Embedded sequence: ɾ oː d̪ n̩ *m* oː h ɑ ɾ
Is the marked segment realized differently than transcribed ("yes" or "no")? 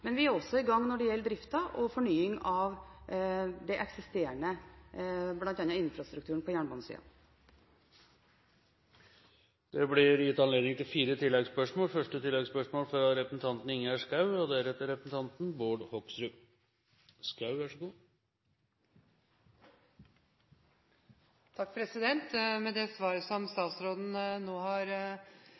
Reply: yes